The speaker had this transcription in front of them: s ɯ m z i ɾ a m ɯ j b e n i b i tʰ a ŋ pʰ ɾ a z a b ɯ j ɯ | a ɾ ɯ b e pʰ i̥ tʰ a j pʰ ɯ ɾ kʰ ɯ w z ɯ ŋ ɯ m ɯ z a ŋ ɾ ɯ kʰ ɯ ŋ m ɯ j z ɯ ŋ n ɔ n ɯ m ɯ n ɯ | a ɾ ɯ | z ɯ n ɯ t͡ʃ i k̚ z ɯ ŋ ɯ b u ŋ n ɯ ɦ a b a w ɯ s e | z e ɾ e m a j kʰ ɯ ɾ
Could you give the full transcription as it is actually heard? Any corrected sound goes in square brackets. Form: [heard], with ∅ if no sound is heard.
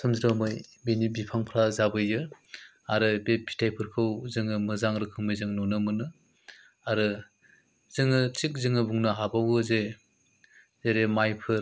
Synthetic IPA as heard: s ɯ m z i ɾ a m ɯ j b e n i b i [pʰ] a ŋ pʰ ɾ a z a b ɯ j ɯ | a ɾ ɯ b e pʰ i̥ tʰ a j pʰ ɯ ɾ kʰ ɯ w z ɯ ŋ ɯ m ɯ z a ŋ ɾ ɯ kʰ ɯ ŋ m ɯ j z ɯ ŋ n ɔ n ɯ m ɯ n ɯ | a ɾ ɯ | z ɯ [ŋ] ɯ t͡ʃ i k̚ z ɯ ŋ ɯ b u ŋ n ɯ ɦ a b a w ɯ [z] e | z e ɾ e m a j [pʰ] ɯ ɾ